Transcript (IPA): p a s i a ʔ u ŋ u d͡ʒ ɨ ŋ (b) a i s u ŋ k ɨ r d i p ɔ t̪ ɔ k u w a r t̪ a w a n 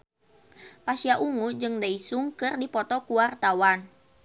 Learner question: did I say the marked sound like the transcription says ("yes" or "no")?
no